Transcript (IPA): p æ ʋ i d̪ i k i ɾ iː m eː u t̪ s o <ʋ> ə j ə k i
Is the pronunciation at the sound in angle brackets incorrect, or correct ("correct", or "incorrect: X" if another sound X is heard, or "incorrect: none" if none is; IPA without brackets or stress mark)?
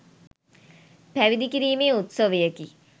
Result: correct